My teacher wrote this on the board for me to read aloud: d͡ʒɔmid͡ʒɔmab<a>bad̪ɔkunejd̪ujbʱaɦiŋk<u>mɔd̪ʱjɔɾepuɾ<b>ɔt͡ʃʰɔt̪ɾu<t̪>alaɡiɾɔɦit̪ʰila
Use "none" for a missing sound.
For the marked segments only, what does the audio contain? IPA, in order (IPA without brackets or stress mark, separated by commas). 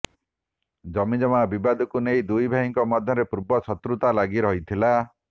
i, ɔ, b, t̪